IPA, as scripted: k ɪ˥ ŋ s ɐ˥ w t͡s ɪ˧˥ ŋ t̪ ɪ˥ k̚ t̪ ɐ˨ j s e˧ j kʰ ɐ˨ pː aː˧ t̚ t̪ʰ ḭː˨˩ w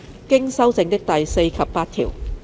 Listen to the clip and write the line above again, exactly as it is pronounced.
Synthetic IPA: k ɪ˥ ŋ s ɐ˥ w t͡s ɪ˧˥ ŋ t̪ ɪ˥ k̚ t̪ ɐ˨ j s e˧ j kʰ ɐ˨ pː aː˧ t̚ t̪ʰ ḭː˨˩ w